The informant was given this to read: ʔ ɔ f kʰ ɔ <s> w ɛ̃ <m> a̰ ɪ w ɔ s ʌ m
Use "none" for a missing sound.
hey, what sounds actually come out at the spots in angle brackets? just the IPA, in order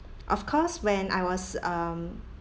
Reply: s, n

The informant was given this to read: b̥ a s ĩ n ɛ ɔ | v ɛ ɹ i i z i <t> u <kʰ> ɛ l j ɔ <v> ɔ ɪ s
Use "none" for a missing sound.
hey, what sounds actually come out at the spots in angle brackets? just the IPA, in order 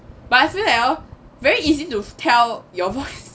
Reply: t, tʰ, v

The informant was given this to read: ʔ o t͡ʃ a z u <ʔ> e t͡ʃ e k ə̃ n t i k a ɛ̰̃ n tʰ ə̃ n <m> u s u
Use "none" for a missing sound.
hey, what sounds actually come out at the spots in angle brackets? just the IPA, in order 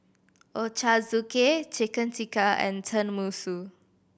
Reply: k, m

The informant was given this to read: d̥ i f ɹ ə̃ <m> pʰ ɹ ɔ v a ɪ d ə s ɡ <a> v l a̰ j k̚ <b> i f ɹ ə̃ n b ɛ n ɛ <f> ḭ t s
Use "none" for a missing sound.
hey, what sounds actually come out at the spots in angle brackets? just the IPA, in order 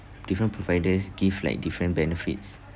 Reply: n, i, d, f

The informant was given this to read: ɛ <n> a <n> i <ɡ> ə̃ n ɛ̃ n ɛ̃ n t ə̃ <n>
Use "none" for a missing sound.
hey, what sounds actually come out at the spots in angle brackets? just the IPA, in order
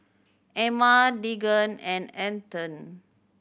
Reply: m, d, ɡ, n

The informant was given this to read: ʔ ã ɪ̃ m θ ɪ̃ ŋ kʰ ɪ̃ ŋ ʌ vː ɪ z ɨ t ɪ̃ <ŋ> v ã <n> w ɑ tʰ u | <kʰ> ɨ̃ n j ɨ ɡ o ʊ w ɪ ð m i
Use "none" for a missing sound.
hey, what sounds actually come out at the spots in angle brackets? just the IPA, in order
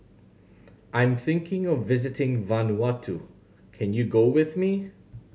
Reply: ŋ, n, kʰ

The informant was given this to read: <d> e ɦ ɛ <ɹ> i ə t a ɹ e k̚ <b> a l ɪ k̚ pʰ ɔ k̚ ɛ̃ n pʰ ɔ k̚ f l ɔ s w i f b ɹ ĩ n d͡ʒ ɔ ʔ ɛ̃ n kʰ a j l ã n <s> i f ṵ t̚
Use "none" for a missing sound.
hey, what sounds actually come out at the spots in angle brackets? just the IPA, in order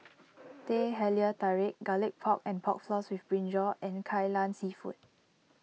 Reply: t, l, ɡ, s

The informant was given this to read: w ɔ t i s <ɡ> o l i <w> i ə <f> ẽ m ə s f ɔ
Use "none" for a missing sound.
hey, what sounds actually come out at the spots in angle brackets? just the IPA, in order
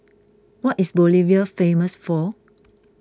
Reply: b, v, f

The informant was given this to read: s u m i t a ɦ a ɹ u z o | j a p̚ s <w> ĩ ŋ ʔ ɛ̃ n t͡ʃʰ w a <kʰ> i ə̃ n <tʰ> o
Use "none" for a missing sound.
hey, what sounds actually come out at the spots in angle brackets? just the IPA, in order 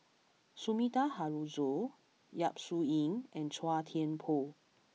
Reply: u, tʰ, pʰ

